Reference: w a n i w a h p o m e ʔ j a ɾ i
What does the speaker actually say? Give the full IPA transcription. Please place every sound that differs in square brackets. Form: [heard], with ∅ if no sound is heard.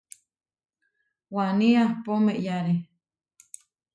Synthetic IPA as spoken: w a n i [∅] a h p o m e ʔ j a ɾ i